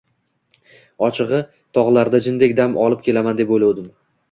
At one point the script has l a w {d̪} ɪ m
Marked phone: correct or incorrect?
correct